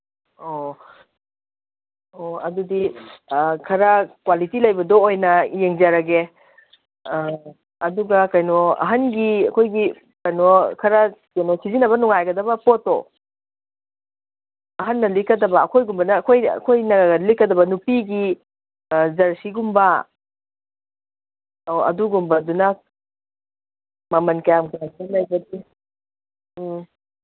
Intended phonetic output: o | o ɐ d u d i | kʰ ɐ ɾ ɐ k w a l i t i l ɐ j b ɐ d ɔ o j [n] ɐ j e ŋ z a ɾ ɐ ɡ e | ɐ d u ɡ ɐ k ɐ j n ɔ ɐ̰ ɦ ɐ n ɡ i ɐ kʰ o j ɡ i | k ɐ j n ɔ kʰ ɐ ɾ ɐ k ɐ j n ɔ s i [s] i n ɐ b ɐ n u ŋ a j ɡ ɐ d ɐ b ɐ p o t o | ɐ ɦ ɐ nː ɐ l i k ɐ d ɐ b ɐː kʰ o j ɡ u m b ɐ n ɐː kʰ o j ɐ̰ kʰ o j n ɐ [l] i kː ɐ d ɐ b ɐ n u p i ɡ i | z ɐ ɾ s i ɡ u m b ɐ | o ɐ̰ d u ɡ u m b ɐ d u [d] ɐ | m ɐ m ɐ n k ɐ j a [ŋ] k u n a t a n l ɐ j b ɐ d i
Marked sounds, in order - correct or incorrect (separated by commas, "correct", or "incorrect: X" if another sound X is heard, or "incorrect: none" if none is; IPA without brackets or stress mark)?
correct, incorrect: z, correct, incorrect: n, incorrect: m